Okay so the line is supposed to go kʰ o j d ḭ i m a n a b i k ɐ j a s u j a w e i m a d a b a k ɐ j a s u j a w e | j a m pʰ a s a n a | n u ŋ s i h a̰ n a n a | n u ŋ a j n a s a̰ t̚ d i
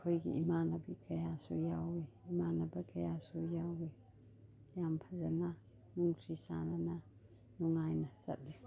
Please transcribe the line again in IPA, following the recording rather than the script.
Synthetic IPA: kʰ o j ɡ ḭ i m a n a b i k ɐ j a s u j a w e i m a n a b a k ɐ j a s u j a w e | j a m pʰ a z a n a | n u ŋ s i s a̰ n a n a | n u ŋ a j n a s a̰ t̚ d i